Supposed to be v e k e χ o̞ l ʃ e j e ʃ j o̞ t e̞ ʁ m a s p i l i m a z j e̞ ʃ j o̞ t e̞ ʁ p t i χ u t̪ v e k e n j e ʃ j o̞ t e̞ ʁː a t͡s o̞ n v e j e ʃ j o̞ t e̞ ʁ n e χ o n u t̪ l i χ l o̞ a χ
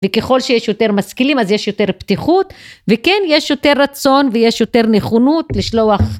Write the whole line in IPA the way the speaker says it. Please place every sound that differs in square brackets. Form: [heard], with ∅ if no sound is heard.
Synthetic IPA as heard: v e k e χ o̞ l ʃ e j e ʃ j o̞ t e̞ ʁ m a s [k] i l i m a z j e̞ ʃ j o̞ t e̞ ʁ p t i χ u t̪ v e k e n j e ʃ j o̞ t e̞ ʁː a t͡s o̞ n v e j e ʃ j o̞ t e̞ ʁ n e χ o n u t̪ l i [ʃ] l o̞ a χ